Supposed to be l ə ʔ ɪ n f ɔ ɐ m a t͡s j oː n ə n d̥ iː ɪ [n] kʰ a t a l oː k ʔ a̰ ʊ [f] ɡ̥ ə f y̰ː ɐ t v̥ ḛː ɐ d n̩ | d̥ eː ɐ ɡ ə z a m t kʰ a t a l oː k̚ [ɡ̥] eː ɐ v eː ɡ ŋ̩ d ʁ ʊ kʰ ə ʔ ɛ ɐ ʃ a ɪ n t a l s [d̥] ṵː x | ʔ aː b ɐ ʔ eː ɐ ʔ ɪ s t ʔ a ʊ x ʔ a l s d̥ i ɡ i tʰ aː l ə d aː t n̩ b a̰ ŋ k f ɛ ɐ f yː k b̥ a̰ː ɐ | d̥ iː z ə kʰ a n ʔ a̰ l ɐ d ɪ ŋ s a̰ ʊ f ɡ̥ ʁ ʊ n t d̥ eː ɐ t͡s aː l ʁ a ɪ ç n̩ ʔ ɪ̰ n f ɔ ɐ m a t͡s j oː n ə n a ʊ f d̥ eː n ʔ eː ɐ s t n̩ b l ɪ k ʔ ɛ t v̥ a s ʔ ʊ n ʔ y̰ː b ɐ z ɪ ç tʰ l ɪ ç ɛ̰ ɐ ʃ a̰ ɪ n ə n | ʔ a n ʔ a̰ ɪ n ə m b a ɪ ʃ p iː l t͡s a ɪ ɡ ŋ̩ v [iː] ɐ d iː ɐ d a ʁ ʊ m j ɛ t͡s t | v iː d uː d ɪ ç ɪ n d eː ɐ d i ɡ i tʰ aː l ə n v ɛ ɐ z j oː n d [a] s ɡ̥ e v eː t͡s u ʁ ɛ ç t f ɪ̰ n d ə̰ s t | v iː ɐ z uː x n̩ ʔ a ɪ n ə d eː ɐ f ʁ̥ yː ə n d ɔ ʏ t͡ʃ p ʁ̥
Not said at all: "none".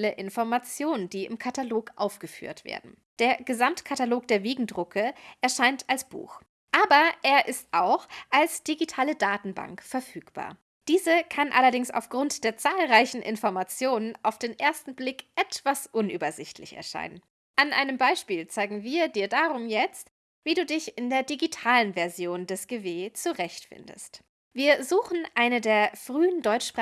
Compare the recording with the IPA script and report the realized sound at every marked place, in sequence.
m, f, d̥, b̥, iː, ɛ

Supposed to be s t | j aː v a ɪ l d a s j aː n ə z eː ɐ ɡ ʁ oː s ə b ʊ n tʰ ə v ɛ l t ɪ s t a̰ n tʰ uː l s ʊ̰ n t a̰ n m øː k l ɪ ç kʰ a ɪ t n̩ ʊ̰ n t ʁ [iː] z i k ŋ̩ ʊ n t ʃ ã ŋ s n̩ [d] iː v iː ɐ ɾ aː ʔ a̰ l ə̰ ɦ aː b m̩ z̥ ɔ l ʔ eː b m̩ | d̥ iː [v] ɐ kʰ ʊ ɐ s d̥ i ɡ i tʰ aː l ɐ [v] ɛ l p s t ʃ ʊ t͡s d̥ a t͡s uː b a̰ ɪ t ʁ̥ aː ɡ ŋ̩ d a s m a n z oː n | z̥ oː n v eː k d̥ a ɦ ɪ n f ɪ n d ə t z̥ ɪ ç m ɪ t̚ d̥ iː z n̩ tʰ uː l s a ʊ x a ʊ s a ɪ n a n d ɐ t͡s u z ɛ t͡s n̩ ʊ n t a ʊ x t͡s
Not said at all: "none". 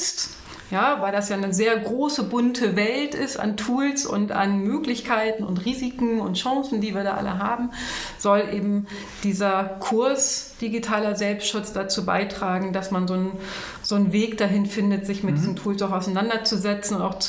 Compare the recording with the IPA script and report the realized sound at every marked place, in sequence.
iː, d, z, z

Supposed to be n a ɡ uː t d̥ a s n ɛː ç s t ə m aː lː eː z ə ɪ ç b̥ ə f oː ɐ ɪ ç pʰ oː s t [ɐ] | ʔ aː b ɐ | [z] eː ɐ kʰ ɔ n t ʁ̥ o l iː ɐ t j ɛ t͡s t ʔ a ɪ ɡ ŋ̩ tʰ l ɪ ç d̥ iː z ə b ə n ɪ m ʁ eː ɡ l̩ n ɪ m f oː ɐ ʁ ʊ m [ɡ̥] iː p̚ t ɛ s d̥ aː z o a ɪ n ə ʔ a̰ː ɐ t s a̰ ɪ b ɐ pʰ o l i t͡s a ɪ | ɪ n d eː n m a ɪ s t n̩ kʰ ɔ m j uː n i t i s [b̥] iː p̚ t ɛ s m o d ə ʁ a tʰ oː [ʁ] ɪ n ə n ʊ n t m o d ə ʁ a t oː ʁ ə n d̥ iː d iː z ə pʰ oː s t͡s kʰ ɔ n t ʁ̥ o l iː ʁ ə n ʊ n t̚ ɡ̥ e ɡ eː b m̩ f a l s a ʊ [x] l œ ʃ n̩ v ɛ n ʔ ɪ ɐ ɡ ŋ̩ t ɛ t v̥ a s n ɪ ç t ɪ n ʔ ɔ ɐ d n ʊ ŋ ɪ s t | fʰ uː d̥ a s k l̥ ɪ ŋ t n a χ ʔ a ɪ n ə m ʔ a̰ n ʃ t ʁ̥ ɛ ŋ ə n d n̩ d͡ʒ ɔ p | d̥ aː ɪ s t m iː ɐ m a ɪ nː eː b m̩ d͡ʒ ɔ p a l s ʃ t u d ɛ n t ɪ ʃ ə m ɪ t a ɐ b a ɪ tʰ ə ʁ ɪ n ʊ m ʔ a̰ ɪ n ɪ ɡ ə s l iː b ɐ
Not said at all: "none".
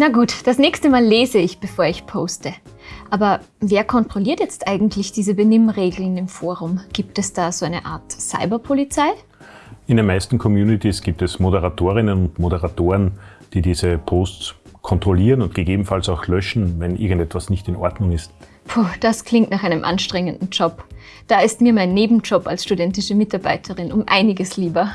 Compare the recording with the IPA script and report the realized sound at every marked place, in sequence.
ə, v, ɡ̥, ɡ̥, ʁ, x

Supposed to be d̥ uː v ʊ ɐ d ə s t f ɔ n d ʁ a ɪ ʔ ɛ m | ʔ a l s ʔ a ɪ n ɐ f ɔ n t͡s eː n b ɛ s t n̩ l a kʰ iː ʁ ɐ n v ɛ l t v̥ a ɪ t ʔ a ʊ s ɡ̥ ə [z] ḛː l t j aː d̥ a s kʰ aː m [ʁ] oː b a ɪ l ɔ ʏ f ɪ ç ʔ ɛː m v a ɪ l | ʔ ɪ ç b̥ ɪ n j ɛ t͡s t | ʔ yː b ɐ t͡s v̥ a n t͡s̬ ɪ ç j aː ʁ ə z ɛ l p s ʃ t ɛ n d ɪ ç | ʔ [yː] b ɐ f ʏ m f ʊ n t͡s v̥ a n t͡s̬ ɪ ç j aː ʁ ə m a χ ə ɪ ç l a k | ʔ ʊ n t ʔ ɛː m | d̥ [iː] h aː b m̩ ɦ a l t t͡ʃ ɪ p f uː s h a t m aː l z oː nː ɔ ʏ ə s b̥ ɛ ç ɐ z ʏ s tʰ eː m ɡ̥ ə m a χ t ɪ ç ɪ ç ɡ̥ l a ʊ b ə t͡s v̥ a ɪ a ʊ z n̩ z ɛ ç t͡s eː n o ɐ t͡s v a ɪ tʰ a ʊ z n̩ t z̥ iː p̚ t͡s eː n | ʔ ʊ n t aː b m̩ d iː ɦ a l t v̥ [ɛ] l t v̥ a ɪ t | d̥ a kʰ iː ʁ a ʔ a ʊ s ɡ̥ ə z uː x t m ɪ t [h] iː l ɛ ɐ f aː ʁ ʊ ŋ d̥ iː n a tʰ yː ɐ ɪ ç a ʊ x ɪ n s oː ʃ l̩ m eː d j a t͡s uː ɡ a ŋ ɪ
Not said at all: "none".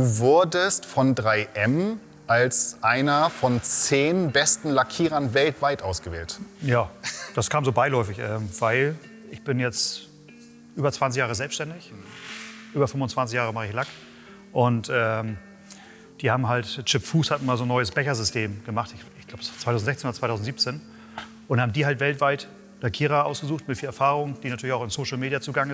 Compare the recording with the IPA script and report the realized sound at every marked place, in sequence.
v, z, yː, iː, ɛ, f

